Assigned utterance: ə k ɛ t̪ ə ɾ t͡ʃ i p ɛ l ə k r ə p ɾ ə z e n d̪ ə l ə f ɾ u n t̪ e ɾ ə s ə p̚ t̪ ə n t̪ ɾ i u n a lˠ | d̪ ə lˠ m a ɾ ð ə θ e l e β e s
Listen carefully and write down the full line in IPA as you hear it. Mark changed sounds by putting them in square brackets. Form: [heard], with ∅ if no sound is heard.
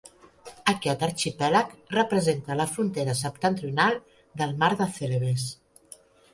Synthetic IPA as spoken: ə k ɛ t̪ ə ɾ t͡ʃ i p ɛ l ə k r ə p ɾ ə z e n [t̪] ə l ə f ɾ u n t̪ e ɾ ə s ə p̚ t̪ ə n t̪ ɾ i u n a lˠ | d̪ ə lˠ m a ɾ ð ə θ e l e β e s